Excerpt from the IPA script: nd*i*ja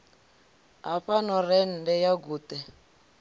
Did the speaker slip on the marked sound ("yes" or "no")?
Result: yes